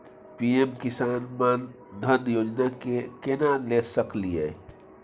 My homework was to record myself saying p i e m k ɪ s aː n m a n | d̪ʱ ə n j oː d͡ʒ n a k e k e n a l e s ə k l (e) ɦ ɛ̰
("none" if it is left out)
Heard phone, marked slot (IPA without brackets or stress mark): i